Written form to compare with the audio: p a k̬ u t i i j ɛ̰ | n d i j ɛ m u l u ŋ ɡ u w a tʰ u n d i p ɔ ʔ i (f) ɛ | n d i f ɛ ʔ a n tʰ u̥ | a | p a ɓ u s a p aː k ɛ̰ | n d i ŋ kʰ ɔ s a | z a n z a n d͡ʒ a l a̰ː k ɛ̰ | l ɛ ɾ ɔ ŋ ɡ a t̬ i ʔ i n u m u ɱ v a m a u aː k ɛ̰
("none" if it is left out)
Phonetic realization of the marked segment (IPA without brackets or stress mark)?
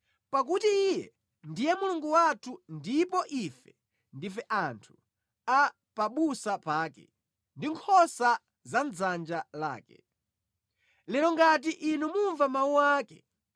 f